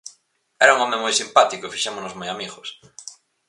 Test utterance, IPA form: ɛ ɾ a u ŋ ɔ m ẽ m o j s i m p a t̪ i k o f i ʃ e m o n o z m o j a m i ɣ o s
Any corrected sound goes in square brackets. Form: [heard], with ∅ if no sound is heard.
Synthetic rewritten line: ɛ ɾ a u ŋ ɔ m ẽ m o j s i m p a t̪ i k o f i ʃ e m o n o z m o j a m i ɣ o s